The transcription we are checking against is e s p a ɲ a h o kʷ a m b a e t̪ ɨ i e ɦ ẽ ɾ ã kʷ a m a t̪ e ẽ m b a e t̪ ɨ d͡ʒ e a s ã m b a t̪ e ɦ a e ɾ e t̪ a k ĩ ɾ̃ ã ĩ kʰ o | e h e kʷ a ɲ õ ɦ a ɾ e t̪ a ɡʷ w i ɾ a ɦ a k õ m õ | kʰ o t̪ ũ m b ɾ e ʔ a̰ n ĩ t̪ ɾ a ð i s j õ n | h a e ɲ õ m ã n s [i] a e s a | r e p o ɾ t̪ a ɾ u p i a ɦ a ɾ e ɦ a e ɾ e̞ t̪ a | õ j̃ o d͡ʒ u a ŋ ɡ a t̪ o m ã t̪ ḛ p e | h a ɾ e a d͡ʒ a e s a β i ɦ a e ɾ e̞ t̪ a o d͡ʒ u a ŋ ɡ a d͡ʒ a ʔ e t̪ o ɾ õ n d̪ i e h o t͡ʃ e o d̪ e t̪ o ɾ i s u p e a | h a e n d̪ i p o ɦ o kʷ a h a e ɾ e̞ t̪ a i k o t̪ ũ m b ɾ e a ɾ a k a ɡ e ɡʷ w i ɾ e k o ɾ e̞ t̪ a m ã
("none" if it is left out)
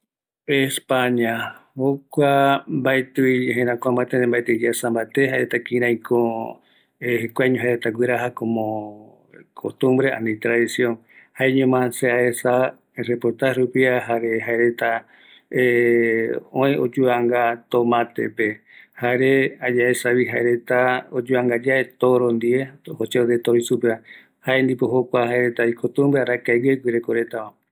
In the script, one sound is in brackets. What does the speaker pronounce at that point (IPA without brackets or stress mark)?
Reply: e